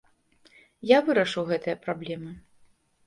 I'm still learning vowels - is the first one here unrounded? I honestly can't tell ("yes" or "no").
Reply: yes